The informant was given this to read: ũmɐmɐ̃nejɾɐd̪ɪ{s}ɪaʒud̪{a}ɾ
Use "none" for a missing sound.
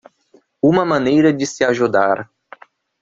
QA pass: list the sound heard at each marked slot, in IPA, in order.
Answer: s, a

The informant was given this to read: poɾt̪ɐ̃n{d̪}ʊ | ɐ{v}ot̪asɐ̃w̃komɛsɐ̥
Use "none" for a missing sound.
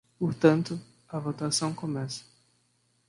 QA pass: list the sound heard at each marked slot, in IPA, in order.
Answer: t̪, v

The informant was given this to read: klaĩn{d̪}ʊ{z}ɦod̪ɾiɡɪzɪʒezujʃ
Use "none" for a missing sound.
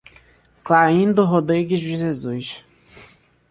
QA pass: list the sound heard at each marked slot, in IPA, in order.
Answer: d̪, none

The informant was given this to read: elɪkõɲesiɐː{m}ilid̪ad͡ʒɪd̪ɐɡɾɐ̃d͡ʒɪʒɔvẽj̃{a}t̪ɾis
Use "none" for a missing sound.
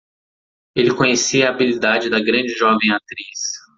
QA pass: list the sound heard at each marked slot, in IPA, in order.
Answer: b, a

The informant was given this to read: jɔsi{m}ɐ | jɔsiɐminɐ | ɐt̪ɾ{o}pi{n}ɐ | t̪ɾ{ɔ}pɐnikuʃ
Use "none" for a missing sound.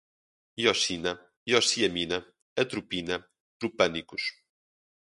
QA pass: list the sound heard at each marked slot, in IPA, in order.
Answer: n, u, n, u

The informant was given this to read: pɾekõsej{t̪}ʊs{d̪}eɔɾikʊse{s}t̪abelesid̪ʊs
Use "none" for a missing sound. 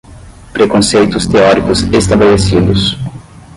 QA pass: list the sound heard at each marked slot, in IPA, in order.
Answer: t̪, t̪, s

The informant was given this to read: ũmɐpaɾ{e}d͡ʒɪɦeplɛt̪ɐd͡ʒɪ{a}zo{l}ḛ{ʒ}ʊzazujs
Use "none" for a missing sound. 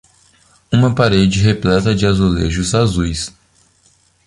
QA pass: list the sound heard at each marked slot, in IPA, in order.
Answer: e, a, l, ʒ

